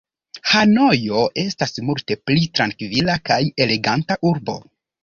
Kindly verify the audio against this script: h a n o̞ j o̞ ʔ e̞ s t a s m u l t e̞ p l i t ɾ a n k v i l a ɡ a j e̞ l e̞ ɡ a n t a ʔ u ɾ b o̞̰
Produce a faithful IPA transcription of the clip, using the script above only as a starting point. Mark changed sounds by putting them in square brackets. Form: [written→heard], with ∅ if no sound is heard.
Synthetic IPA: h a n o̞ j o̞ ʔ e̞ s t a s m u l t e̞ p l i t ɾ a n k v i l a [ɡ→k] a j e̞ l e̞ ɡ a n t a ʔ u ɾ b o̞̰